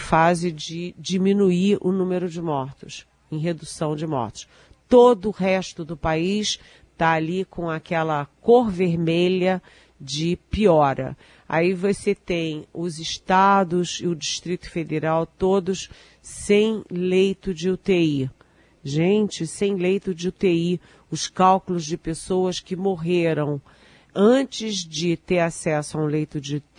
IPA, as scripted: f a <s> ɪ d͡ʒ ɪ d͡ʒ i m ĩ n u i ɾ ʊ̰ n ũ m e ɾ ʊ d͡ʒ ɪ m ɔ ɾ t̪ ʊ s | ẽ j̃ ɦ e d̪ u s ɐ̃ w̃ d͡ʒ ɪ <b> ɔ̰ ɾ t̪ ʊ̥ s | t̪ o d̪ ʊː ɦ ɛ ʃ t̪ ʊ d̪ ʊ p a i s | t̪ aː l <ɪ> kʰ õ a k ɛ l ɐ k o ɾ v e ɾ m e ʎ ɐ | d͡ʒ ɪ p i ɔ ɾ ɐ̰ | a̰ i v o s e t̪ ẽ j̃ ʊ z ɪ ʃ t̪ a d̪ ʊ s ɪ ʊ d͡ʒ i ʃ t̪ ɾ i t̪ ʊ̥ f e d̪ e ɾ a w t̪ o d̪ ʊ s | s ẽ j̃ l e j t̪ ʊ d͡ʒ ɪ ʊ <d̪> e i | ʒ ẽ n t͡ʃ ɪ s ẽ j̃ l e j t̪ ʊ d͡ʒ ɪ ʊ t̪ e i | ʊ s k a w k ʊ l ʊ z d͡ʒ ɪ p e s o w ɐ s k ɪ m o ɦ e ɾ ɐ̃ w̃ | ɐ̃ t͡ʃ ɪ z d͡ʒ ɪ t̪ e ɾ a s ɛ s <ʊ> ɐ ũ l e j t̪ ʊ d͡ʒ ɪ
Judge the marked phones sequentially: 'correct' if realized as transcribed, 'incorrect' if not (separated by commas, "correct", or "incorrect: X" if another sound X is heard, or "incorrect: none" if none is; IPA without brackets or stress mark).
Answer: incorrect: z, incorrect: m, incorrect: i, incorrect: t̪, correct